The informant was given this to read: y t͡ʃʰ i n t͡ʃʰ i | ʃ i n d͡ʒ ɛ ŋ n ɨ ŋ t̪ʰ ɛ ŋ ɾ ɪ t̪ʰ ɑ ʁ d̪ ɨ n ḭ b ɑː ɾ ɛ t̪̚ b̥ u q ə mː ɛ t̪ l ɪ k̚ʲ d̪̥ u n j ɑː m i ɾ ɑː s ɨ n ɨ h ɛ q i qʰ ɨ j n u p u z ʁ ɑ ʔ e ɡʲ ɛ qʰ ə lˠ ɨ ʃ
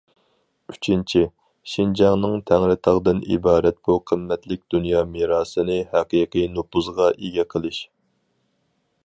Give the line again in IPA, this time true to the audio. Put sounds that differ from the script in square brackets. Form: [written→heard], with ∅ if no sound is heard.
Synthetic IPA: y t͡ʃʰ i n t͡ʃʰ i | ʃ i n d͡ʒ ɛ ŋ n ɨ ŋ t̪ʰ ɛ ŋ ɾ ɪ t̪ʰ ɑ ʁ d̪ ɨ n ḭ b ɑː ɾ ɛ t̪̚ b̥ u [q→qʰ] ə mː ɛ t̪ l ɪ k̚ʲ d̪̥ u n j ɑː m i ɾ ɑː s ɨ n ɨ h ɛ q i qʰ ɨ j n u p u z ʁ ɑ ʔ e ɡʲ ɛ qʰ ə lˠ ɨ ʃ

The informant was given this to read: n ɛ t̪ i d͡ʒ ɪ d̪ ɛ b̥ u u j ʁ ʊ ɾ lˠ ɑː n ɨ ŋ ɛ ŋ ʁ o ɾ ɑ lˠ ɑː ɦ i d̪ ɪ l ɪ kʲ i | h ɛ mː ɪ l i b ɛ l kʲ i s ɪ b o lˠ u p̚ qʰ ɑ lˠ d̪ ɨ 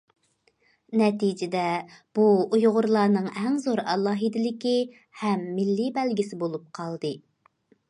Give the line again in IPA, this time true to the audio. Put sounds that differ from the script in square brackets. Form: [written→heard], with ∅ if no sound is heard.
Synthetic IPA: n ɛ t̪ i d͡ʒ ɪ d̪ ɛ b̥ u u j ʁ ʊ ɾ lˠ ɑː n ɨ ŋ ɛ ŋ [ʁ→z] o ɾ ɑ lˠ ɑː ɦ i d̪ ɪ l ɪ kʲ i | h ɛ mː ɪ [l→lː] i b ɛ l [kʲ→ɡʲ] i s ɪ b o lˠ u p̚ qʰ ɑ lˠ d̪ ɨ

